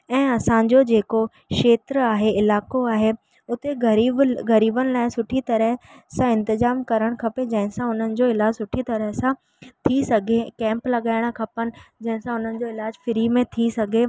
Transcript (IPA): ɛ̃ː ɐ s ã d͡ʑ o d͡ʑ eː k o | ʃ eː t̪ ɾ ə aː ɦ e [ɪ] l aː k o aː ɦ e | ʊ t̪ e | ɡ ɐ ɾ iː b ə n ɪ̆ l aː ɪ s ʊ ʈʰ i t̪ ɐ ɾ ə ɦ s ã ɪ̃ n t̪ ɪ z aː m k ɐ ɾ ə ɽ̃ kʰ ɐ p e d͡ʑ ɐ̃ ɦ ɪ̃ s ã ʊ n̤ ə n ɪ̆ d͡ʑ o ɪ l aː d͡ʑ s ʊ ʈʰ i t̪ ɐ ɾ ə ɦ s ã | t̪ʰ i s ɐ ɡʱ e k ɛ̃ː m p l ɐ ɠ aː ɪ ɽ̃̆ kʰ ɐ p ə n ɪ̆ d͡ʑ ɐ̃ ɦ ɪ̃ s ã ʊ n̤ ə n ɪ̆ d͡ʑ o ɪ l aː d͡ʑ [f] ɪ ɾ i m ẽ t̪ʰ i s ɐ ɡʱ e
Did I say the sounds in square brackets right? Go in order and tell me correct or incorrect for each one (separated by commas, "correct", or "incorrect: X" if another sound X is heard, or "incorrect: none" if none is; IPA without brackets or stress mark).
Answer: correct, correct